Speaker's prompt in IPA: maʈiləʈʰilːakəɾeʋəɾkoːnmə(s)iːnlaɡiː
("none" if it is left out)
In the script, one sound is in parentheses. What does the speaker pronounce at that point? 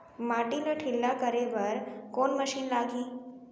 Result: ʃ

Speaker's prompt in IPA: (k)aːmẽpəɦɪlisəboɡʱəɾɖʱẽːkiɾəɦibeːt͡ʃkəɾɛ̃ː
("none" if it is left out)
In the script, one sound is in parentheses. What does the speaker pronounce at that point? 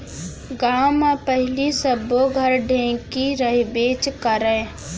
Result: ɡ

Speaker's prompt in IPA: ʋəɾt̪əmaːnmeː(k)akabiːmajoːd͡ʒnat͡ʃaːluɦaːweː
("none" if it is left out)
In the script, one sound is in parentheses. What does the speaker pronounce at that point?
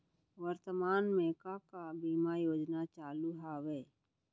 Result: k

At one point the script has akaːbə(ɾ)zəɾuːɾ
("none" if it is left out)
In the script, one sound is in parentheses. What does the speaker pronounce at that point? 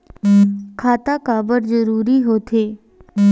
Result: ɾ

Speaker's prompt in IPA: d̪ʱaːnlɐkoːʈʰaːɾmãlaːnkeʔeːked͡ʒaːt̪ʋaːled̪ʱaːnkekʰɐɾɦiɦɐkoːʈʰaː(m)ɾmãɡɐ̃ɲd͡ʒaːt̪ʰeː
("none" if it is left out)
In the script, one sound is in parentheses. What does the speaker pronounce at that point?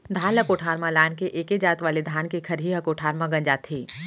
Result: none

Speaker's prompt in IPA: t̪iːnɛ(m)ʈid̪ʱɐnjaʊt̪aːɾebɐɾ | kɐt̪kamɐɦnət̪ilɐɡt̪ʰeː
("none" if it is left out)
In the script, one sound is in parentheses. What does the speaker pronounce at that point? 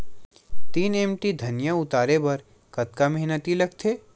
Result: m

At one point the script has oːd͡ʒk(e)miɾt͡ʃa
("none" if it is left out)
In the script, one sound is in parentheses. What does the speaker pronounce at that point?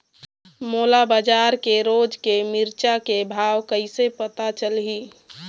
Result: e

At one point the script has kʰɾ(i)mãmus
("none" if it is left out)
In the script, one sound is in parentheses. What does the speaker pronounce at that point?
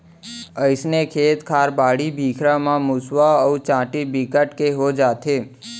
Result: a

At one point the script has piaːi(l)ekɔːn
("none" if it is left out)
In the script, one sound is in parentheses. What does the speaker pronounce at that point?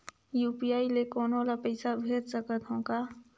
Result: l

